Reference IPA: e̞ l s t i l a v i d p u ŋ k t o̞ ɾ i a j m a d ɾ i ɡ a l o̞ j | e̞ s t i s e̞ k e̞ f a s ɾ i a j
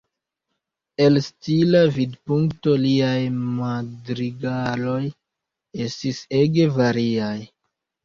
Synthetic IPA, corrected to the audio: e̞ l s t i l a v i d p u ŋ k t o̞ l i a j m a d ɾ i ɡ a l o̞ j | e̞ s t i s e̞ ɡ e̞ v a ɾ i a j